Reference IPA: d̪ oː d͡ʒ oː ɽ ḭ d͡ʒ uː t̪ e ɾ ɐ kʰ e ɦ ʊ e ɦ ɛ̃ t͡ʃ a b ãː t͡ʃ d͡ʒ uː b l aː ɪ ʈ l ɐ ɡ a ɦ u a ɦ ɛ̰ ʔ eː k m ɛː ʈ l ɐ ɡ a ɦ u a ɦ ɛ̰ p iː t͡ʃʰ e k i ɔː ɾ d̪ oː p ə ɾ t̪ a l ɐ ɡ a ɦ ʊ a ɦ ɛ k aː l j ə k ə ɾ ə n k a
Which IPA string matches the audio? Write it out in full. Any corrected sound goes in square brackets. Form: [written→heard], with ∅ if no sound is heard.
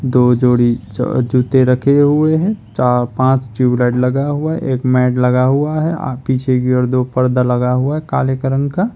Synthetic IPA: d̪ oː d͡ʒ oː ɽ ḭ d͡ʒ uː t̪ e ɾ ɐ kʰ e ɦ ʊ e ɦ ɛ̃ t͡ʃ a [b→p] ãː t͡ʃ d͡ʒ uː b l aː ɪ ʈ l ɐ ɡ a ɦ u a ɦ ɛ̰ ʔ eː k m ɛː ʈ l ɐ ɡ a ɦ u a ɦ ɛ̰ p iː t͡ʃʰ e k i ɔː ɾ d̪ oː p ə ɾ [t̪→d̪] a l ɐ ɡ a ɦ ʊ a ɦ ɛ k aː l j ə k ə ɾ ə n k a

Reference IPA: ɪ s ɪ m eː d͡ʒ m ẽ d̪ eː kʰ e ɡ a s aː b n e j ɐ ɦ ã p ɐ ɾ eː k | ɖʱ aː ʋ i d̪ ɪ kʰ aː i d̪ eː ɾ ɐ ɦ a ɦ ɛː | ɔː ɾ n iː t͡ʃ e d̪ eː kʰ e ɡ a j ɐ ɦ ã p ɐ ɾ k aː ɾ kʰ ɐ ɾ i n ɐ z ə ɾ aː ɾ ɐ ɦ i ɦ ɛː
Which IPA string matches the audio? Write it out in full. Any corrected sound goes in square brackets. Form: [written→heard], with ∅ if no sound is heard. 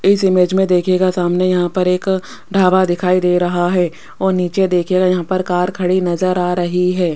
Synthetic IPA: ɪ s ɪ m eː d͡ʒ m ẽ d̪ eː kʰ e ɡ a s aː [b→m] n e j ɐ ɦ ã p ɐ ɾ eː k | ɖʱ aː ʋ [i→a] d̪ ɪ kʰ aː i d̪ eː ɾ ɐ ɦ a ɦ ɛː | ɔː ɾ n iː t͡ʃ e d̪ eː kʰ e ɡ a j ɐ ɦ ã p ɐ ɾ k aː ɾ kʰ ɐ [ɾ→ɽ] i n ɐ z ə ɾ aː ɾ ɐ ɦ i ɦ ɛː

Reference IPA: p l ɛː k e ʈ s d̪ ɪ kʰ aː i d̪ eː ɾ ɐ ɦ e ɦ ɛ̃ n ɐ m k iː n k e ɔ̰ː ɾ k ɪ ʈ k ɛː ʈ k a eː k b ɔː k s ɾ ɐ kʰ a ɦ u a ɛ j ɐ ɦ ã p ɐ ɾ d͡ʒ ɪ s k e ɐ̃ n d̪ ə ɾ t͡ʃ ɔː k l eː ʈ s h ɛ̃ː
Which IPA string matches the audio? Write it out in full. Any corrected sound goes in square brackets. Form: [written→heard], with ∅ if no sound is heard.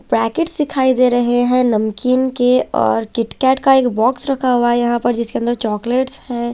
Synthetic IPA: p [l→ɾ] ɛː k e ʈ s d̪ ɪ kʰ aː i d̪ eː ɾ ɐ ɦ e ɦ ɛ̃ n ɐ m k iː n k e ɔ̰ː ɾ k ɪ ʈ k ɛː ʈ k a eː k b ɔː k s ɾ ɐ kʰ a ɦ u a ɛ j ɐ ɦ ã p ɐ ɾ d͡ʒ ɪ s k e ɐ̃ n d̪ ə ɾ t͡ʃ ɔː k l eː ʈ s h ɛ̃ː

